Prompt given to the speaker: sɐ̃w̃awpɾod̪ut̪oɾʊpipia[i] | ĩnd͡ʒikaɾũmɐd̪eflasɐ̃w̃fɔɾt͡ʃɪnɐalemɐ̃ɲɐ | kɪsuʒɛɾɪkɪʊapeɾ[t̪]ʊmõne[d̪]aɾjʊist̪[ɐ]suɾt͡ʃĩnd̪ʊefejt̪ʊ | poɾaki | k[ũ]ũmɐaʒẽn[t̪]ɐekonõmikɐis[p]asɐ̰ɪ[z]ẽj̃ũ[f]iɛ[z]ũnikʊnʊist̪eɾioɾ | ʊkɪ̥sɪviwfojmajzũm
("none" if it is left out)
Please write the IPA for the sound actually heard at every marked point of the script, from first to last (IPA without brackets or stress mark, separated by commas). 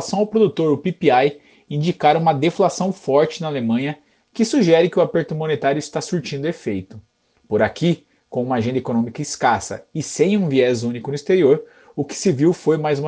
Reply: j, t̪, t̪, a, õ, d̪, k, s, v, z